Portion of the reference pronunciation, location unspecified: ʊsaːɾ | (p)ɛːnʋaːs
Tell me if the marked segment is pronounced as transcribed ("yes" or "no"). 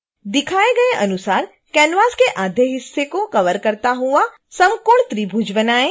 no